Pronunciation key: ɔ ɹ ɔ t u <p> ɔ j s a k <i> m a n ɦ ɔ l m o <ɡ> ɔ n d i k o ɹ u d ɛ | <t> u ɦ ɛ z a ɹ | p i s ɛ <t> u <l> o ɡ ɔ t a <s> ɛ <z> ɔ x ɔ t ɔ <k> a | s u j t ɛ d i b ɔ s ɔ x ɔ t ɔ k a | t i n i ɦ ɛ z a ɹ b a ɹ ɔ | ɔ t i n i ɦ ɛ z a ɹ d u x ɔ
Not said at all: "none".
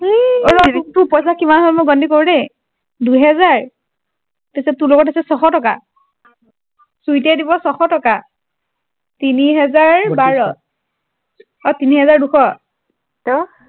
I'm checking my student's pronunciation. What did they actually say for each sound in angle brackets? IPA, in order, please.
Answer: p, i, ɡ, d, t, l, s, s, k

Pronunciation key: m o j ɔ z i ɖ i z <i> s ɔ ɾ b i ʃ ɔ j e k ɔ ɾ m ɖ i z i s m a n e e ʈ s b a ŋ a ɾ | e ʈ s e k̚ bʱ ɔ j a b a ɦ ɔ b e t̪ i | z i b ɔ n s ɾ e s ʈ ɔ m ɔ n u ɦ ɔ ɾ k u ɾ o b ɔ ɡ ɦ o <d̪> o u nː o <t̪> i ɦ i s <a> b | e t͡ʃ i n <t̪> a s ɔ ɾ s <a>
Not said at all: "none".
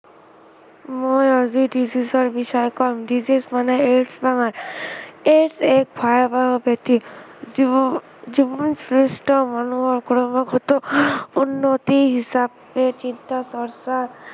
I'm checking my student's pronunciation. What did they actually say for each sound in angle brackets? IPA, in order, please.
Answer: i, t̪, t̪, a, t̪, a

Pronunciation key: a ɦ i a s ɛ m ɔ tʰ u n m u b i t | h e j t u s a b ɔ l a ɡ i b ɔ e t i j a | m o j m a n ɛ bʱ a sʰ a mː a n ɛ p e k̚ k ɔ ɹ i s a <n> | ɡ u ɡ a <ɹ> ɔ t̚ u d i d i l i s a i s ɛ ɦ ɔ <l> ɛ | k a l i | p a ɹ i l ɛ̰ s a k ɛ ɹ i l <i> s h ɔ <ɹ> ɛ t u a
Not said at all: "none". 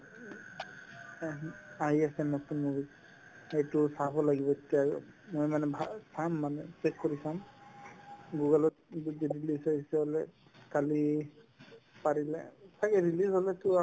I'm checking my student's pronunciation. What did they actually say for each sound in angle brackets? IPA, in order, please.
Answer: m, l, l, i, l

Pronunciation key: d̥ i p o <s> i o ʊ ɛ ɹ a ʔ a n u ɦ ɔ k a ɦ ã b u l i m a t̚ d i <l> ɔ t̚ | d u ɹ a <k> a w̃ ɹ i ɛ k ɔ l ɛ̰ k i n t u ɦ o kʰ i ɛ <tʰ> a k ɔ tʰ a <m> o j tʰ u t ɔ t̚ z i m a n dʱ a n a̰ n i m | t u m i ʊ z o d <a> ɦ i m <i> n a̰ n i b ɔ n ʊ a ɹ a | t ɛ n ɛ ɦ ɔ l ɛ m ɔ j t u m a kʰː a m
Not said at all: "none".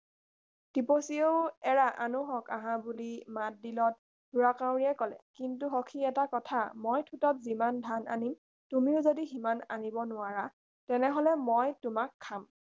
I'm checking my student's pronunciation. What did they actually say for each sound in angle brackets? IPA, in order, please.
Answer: s, l, k, t, m, i, a

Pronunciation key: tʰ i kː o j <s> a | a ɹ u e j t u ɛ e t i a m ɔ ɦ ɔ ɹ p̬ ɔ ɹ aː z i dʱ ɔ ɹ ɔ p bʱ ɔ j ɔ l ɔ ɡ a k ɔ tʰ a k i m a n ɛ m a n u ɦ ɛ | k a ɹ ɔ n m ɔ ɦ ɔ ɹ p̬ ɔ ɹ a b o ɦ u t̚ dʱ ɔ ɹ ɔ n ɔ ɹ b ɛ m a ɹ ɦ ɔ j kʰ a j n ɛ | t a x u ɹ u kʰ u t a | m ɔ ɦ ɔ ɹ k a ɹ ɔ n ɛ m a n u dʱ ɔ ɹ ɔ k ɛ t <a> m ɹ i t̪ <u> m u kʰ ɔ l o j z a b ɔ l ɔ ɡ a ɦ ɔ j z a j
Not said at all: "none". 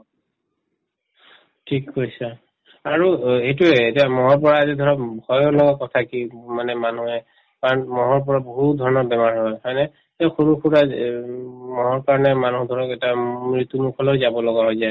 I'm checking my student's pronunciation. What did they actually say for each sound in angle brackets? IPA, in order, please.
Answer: s, a, u

